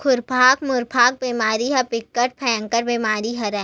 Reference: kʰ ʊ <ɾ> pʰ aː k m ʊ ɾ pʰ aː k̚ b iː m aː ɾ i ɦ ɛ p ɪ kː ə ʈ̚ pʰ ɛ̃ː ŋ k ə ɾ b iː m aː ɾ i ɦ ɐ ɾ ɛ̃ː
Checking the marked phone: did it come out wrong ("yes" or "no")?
no